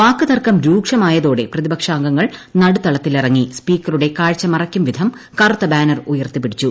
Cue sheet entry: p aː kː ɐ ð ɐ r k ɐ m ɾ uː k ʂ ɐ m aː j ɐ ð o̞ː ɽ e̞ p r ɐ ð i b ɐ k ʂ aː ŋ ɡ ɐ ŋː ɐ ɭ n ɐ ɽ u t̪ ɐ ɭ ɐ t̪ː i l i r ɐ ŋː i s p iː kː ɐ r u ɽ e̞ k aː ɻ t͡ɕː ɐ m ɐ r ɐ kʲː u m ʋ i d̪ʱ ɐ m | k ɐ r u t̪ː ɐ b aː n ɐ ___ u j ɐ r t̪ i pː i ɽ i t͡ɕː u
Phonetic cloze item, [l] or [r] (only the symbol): r